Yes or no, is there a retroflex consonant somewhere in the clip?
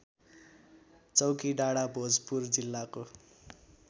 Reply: yes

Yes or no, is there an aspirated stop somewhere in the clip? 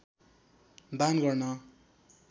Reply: no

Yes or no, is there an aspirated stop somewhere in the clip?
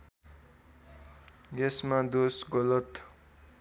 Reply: no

